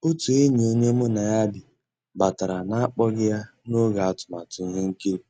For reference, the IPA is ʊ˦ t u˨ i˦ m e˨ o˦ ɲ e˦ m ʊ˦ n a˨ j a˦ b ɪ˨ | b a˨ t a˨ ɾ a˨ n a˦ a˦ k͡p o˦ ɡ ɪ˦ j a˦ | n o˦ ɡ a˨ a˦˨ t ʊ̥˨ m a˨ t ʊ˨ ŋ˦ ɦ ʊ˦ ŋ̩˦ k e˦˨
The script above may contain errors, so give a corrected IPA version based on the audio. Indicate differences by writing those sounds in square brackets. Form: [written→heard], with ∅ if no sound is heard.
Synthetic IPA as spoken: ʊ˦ t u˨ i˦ [m→ɲ] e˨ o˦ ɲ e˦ m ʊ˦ n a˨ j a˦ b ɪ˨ | b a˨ t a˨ ɾ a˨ n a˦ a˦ k͡p [o˦→ɔ˦] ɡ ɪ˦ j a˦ | n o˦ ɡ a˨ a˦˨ t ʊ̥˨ m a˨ t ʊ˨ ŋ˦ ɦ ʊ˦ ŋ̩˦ k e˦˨